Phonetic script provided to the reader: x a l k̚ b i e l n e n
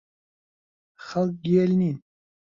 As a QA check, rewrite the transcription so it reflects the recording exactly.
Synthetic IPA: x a l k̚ ɡ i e l n i n